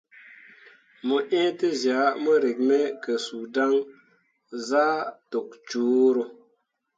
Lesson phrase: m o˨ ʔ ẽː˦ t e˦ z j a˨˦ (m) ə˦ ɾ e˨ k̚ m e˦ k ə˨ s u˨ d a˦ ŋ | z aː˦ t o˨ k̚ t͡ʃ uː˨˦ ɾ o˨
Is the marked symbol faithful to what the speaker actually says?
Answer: yes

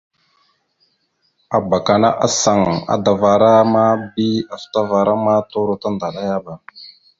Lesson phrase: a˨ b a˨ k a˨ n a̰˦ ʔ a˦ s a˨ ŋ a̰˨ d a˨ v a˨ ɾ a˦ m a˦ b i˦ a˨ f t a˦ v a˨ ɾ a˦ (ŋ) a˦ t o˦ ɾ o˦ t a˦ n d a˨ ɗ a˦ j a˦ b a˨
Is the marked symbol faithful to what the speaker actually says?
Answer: no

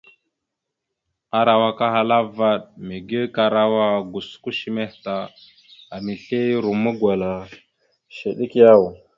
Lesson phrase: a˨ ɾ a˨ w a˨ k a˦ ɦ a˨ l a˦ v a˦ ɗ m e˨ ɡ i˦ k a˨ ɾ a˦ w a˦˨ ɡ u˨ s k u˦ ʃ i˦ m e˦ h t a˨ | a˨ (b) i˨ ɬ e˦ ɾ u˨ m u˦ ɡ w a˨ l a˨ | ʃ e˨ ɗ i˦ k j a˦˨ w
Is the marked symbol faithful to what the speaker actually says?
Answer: no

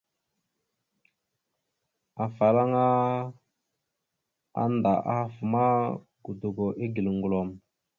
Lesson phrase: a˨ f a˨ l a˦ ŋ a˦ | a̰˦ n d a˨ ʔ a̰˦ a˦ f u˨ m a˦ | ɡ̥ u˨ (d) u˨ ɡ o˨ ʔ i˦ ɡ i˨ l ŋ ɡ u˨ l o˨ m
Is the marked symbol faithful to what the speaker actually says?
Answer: yes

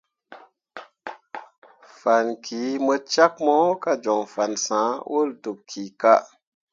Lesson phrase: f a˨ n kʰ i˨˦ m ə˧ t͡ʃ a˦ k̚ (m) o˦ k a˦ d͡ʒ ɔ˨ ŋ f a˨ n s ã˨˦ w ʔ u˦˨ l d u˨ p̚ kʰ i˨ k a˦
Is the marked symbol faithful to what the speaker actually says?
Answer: yes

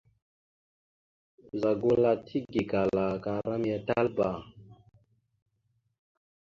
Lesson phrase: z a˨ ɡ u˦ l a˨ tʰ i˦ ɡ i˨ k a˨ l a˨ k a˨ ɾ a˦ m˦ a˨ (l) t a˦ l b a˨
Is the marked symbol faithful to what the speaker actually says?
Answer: no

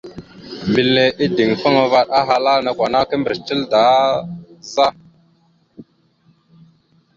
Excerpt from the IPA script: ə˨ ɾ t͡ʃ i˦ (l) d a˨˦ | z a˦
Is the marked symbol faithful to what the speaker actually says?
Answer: yes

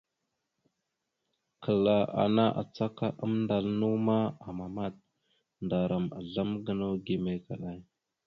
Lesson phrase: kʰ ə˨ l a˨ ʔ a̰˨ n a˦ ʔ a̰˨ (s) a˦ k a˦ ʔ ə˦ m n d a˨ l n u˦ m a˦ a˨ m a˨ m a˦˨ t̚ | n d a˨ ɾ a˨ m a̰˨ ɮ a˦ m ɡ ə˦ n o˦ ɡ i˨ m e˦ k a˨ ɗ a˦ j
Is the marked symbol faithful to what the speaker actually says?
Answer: no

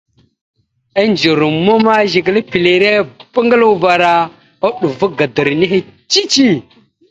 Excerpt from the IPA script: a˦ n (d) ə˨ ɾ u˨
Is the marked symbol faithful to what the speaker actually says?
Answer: no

